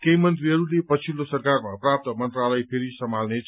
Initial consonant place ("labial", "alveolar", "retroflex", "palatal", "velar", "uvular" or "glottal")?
velar